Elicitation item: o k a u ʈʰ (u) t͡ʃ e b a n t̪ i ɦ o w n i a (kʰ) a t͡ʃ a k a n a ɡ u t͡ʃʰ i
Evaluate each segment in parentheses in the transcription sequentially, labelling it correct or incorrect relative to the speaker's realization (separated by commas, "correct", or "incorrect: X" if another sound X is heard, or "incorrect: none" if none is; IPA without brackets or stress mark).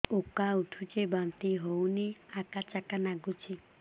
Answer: correct, incorrect: k